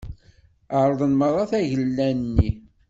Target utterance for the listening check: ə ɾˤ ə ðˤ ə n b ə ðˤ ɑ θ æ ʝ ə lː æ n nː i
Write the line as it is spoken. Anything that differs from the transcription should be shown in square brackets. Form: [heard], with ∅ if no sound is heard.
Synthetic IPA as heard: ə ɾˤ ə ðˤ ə n [m] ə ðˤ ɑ θ æ ʝ ə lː æ n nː i